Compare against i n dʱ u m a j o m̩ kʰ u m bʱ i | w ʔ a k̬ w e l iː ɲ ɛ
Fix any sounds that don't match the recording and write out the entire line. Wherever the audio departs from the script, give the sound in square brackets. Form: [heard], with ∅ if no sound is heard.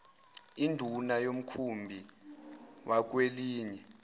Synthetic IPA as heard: i n dʱ u [n] a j o m̩ kʰ u m bʱ i | w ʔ a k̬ w e l iː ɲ ɛ